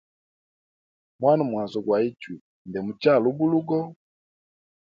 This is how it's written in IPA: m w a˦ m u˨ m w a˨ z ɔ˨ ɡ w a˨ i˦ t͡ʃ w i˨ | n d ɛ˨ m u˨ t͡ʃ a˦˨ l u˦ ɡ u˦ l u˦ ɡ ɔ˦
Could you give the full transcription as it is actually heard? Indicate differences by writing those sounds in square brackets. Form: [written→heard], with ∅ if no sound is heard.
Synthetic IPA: m w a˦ [m→n] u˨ m w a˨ z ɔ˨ ɡ w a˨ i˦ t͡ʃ w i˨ | n d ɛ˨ m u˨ t͡ʃ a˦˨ l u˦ [ɡ→b] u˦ l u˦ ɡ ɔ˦